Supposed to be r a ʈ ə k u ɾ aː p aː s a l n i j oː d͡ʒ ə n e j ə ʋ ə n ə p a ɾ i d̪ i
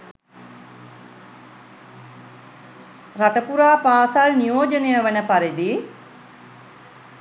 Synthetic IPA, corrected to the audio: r a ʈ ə p u ɾ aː p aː s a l n i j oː d͡ʒ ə n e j ə ʋ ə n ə p a ɾ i d̪ i